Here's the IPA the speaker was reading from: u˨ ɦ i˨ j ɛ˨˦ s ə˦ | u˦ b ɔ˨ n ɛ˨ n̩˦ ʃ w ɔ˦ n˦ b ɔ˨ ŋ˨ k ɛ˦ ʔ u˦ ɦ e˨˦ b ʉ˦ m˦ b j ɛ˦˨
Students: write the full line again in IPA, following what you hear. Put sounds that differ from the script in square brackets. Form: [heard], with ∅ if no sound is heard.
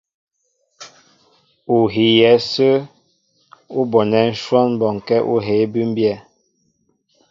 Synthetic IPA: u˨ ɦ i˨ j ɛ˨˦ s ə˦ | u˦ b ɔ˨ n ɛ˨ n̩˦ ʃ w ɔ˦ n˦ b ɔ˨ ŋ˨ k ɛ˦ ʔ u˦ ɦ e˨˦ b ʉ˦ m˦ b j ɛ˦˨